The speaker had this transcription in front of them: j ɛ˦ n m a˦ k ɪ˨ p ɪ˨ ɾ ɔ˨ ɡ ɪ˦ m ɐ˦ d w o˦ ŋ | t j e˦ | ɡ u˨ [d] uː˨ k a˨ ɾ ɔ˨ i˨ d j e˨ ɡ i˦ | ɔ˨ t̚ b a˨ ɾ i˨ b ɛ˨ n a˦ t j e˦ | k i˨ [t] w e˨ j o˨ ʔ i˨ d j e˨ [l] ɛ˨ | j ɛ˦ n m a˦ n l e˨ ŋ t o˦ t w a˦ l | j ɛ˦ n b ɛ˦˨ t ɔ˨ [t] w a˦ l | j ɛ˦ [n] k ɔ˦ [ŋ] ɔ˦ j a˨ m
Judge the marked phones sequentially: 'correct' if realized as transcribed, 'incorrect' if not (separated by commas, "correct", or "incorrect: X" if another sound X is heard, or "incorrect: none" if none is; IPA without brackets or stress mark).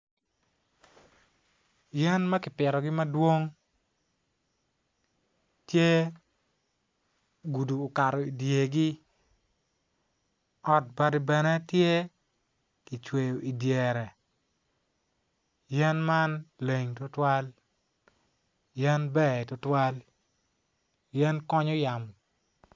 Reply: correct, incorrect: t͡ʃ, incorrect: ɾ, correct, correct, incorrect: ɲ